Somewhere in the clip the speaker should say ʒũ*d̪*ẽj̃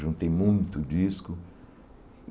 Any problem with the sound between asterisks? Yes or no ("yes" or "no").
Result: yes